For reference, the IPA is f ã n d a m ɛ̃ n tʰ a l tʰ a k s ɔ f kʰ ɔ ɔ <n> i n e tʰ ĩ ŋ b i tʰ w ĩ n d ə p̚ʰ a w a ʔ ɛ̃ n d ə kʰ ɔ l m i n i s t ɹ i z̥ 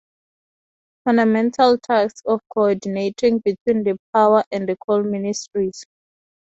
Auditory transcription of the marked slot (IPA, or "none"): d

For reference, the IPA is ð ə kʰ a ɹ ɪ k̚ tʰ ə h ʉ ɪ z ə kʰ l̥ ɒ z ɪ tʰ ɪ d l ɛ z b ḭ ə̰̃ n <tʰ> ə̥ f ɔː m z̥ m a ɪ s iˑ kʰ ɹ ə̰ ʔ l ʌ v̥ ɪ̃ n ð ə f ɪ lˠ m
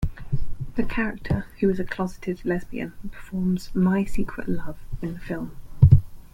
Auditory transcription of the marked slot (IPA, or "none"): pʰ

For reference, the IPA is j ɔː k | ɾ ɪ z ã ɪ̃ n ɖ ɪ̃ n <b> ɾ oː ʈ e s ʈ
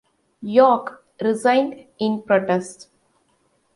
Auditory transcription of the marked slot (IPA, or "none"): p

